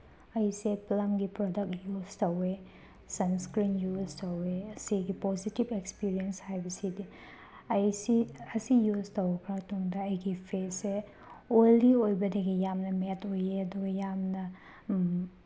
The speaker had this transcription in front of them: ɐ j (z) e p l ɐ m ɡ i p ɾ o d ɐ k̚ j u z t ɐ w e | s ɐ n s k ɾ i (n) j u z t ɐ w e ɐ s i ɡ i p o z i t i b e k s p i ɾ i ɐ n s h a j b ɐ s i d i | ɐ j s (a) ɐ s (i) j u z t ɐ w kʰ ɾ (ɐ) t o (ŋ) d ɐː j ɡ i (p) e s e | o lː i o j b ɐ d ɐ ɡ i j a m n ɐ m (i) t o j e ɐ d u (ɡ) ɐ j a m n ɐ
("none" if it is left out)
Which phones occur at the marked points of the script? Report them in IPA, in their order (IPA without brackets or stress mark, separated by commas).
s, n, i, i, a, ŋ, pʰ, e, ɡ